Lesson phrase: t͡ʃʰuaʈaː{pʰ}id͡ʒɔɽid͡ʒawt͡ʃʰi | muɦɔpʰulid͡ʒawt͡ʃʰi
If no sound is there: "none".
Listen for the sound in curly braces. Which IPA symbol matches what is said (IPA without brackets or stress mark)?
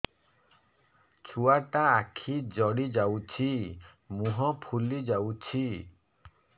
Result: kʰ